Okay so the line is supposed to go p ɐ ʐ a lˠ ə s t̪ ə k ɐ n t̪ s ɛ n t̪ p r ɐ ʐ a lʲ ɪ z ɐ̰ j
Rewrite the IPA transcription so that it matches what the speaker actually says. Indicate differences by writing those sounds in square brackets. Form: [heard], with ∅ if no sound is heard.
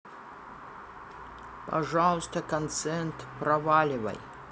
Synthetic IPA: p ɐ ʐ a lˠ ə s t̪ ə k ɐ n t̪ s ɛ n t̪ p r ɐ [v] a lʲ ɪ [v] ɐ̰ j

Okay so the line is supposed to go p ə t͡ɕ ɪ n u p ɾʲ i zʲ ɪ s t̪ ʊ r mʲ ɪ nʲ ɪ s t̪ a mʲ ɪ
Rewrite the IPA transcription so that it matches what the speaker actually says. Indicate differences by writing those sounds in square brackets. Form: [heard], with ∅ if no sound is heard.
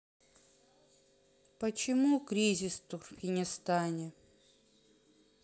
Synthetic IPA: p ə t͡ɕ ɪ [m] u [k] ɾʲ i zʲ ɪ s t̪ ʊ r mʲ ɪ nʲ ɪ s t̪ a [nʲ] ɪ

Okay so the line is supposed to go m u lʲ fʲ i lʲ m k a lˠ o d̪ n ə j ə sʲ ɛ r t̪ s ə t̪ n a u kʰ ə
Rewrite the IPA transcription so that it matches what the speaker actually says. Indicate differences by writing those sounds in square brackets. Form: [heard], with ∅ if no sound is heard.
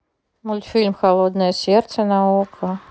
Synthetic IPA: m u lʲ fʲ i lʲ m [x] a lˠ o d̪ n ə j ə sʲ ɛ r t̪ s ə [∅] n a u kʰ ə

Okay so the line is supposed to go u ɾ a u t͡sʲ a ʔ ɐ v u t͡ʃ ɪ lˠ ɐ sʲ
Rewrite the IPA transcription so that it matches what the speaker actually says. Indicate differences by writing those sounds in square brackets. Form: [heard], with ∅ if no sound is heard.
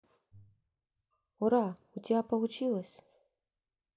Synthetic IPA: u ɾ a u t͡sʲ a [p] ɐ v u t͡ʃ [i] lˠ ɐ sʲ

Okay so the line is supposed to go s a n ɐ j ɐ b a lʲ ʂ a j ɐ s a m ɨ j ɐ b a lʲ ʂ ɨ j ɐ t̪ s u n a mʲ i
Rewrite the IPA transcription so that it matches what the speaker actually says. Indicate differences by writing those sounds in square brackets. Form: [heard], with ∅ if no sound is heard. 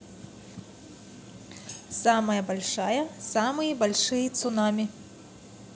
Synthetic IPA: s a [m] ɐ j ɐ b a lʲ ʂ a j ɐ s a m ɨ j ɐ b a lʲ ʂ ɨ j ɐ t̪ s u n a mʲ i

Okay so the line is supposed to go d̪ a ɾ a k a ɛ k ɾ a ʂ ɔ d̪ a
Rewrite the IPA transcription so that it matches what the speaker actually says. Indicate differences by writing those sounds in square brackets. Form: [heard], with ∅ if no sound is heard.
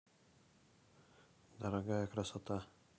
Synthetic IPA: d̪ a ɾ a [ɡ] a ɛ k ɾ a [s] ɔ [t̪] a

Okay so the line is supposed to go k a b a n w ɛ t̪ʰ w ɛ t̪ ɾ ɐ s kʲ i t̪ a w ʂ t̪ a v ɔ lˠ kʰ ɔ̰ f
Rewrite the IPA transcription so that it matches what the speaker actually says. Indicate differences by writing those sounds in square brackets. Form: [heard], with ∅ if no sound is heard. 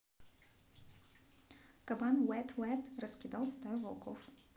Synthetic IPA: k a b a n w ɛ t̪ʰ w ɛ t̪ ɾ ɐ s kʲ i [d̪] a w [s] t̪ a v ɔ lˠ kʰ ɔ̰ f

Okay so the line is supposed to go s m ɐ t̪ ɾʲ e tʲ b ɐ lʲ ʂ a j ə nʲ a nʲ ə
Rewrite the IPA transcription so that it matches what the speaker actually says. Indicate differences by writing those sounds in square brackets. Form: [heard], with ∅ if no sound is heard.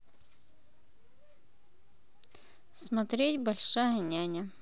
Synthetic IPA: s m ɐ t̪ ɾʲ e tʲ b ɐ lʲ ʂ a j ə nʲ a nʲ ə

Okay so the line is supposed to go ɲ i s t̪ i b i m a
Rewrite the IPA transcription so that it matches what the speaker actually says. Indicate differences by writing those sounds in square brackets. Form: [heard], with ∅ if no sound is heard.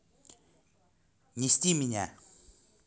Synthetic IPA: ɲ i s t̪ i [m] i [ɲ] a

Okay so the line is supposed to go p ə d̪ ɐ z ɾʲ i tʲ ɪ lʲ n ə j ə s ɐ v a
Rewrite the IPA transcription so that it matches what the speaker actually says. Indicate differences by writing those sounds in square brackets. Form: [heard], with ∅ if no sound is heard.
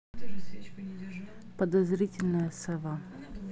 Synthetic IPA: p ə d̪ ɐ z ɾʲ i tʲ ɪ lʲ n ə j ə s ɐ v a

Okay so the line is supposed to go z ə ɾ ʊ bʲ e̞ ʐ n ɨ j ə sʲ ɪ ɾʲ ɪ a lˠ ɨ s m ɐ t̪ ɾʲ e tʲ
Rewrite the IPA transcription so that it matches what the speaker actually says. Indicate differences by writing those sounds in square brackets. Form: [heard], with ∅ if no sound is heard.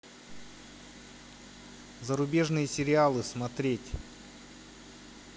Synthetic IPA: z ə ɾ ʊ bʲ e̞ ʐ n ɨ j ə sʲ ɪ ɾʲ ɪ a lˠ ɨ s m ɐ t̪ ɾʲ e tʲ

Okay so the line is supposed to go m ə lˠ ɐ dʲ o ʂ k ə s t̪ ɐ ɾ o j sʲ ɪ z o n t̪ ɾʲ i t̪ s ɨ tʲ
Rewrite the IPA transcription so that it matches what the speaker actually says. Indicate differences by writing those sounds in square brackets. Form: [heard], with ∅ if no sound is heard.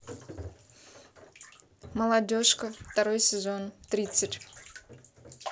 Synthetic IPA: m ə lˠ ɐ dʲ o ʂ k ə [f] t̪ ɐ ɾ o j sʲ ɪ z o n t̪ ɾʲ i t̪ s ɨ tʲ

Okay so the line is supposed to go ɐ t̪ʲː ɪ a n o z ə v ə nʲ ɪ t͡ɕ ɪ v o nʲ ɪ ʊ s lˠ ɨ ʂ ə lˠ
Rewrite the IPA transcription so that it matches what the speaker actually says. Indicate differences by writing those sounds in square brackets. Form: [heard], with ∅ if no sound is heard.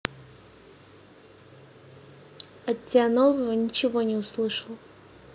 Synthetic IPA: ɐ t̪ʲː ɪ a n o [v] ə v ə nʲ ɪ t͡ɕ ɪ v o nʲ ɪ ʊ s lˠ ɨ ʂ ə lˠ

